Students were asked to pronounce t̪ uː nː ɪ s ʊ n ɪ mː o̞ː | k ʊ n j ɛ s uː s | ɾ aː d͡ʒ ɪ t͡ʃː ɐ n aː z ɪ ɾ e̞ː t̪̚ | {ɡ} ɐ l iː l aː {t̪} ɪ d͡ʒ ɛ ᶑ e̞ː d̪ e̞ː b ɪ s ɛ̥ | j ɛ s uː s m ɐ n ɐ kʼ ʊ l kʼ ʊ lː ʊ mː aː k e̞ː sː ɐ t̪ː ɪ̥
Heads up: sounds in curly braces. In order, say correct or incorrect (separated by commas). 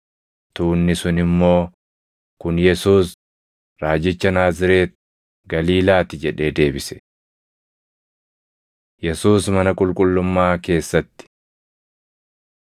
correct, correct